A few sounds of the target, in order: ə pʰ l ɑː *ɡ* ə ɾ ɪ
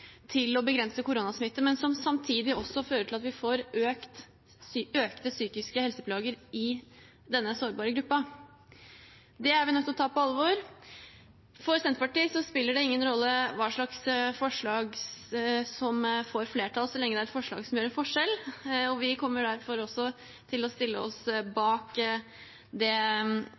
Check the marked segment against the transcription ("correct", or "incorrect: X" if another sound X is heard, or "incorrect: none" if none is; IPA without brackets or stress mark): correct